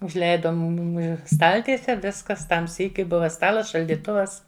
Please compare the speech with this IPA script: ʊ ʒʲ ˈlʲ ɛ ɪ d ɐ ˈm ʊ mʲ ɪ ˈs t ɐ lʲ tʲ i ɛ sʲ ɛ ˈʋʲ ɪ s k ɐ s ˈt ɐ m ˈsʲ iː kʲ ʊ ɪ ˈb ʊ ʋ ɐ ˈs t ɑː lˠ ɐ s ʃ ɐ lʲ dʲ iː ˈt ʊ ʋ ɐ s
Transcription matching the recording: ʊ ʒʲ ˈlʲ ɛ ɪ d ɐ ˈm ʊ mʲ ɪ ˈs t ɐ lʲ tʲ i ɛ sʲ ɛ ˈʋʲ ɪ s k ɐ s ˈt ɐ m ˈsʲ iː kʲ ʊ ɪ ˈb ʊ ʋ ɐ ˈs t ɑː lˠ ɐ s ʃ ɐ lʲ dʲ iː ˈt ʊ ʋ ɐ s